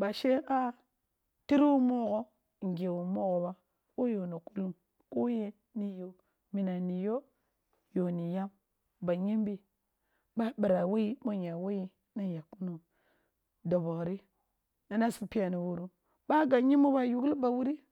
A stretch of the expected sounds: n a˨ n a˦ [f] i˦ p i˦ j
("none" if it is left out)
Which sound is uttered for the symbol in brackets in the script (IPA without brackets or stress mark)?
s